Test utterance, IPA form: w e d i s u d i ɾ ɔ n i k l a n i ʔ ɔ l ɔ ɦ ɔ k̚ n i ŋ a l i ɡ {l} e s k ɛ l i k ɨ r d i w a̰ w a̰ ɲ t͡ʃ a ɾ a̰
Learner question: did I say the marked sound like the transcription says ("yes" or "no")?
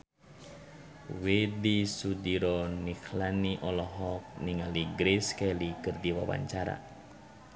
no